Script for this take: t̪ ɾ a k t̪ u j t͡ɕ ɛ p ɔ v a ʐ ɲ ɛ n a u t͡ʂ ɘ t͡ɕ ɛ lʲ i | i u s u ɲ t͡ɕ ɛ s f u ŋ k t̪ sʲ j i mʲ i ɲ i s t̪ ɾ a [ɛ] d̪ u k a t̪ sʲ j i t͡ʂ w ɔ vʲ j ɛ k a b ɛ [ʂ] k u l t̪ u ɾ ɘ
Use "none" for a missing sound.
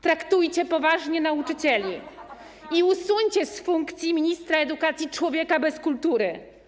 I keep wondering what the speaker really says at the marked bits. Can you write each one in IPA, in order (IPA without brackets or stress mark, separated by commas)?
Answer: ɛ, s